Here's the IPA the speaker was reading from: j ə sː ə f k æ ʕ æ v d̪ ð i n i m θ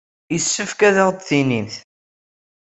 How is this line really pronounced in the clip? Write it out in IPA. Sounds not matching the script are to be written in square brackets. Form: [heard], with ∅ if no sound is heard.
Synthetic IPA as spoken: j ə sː ə f k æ [ð] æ [ʁ] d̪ [θ] i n i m θ

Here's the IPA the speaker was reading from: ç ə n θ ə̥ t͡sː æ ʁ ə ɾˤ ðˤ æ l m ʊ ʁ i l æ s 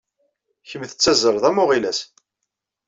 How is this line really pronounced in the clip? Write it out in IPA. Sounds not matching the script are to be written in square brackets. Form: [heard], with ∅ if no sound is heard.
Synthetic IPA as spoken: ç ə [m] θ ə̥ t͡sː æ [z] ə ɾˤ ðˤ æ [∅] m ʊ ʁ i l æ s

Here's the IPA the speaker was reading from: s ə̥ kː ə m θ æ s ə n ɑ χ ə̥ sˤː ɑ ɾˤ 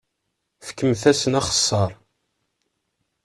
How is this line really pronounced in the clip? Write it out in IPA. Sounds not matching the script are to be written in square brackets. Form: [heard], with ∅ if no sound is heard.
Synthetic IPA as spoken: [f] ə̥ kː ə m θ æ s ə n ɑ χ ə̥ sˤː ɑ ɾˤ

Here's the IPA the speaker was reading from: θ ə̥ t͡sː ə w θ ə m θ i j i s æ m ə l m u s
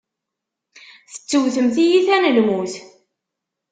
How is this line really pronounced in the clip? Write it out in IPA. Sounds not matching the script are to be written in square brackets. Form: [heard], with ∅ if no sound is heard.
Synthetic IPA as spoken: θ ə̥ t͡sː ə w θ ə m θ i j i [θ] æ [n] ə l m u [θ]

